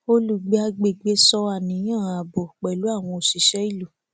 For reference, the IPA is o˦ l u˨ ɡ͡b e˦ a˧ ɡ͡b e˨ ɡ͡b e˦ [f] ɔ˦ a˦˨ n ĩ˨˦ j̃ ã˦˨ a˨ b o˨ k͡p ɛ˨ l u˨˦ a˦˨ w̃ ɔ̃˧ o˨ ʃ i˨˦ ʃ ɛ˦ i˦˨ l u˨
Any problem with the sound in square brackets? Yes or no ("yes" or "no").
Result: yes